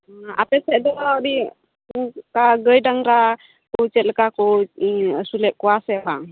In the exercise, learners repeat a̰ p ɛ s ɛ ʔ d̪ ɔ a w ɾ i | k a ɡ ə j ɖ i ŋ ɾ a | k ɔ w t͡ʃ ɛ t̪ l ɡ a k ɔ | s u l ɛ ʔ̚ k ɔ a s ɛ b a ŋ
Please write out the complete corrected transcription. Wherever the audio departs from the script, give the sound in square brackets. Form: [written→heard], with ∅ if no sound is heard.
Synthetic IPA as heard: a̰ p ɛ s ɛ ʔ d̪ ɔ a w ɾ i | k a ɡ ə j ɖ [i→a] ŋ ɾ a | k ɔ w t͡ʃ ɛ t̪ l [ɡ→k] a k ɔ | s u l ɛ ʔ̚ k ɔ a s ɛ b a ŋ